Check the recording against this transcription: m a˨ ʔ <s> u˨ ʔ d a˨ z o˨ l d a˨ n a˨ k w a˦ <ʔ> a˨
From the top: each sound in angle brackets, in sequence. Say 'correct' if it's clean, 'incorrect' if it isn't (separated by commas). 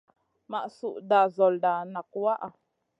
correct, correct